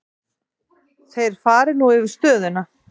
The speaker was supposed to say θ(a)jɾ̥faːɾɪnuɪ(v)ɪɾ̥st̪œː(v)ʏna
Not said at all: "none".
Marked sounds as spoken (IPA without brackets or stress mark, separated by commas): e, v, ð